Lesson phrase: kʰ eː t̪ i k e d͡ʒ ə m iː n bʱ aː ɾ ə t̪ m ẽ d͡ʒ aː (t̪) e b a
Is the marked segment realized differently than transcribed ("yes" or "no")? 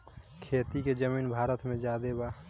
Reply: yes